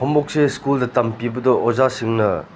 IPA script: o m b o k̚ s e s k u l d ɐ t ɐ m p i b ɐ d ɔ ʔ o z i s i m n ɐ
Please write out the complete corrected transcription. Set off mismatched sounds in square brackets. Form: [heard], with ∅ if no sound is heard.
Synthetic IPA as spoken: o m b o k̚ s e s k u l d ɐ t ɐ m p i b ɐ d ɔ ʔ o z [a] s i [ŋ] n ɐ

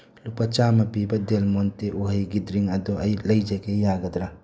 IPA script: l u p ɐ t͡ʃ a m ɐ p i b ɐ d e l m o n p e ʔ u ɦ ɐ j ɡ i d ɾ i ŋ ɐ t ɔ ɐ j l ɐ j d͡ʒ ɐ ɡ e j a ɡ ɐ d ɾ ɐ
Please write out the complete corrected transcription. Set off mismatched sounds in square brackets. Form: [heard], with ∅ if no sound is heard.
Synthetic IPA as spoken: l u p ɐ t͡ʃ a m ɐ p i b ɐ d e l m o n [t] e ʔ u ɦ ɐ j ɡ i d ɾ i ŋ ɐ [d] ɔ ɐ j l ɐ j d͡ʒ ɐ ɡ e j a ɡ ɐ d ɾ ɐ

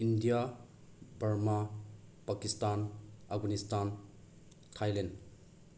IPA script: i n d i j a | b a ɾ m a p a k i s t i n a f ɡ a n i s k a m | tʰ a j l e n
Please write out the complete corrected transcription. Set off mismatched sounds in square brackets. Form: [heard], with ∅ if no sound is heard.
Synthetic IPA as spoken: i n d i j a | b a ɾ m a p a k i s t [a] n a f ɡ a n i s [t] a [n] | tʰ a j l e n

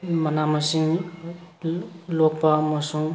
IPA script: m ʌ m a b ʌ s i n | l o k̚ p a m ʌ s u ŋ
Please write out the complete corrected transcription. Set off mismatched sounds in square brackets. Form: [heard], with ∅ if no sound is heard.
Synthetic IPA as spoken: m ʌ [n] a [m] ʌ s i [ŋ] | l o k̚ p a m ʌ s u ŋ

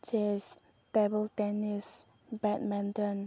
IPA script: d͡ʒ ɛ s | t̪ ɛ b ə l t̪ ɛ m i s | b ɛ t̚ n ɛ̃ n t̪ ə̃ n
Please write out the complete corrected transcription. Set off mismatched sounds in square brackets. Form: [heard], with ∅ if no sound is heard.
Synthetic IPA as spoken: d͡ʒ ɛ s | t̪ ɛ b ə l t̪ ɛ [n] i s | b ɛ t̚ [m] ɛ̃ n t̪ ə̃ n

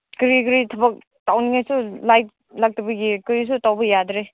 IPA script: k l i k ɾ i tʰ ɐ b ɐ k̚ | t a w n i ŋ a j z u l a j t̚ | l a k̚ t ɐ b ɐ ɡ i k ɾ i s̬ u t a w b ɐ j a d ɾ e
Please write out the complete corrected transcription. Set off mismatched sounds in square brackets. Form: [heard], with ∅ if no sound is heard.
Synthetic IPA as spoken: k [ɾ] i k ɾ i tʰ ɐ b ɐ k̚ | t a w n i ŋ a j [s] u l a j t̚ | l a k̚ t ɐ b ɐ ɡ i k ɾ i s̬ u t a w b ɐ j a d ɾ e

